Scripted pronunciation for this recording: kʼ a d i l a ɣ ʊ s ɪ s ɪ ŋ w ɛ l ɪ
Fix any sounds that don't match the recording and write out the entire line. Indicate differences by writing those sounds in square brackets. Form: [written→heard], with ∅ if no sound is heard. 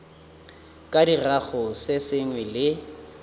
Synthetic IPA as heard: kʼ a d i [l→r] a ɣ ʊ s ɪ s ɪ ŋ w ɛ l ɪ